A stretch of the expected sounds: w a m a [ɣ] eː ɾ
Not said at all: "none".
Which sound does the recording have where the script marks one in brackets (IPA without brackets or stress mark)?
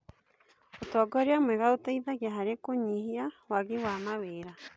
w